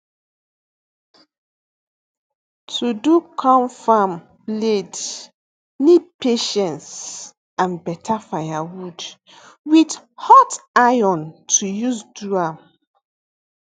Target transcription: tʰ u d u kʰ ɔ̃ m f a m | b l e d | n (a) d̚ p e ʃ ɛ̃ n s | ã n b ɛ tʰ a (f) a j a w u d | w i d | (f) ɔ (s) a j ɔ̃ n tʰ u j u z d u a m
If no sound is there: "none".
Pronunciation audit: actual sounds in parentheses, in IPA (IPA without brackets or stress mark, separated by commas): i, f, h, t